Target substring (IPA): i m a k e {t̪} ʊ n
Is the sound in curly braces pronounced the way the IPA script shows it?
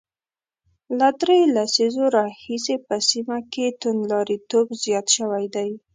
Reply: yes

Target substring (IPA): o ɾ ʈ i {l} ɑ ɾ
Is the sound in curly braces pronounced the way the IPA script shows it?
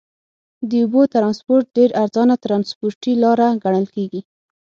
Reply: yes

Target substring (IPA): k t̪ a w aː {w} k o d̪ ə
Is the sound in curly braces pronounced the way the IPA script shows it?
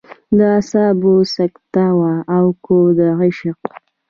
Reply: yes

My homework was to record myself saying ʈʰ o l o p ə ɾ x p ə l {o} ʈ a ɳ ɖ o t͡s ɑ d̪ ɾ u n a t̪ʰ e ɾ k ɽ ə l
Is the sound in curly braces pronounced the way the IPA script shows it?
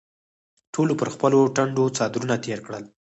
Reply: yes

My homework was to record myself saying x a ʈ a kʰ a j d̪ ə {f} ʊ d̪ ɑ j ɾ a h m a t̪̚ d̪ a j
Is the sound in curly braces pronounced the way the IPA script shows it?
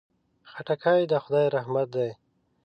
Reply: no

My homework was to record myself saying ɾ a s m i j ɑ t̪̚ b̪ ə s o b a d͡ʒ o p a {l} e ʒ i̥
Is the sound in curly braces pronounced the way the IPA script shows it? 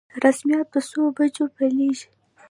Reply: yes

